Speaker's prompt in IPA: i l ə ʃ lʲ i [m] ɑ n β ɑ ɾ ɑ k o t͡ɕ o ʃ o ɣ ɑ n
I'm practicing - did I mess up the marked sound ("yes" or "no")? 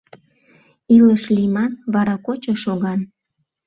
no